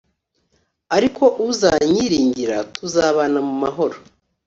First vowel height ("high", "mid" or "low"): low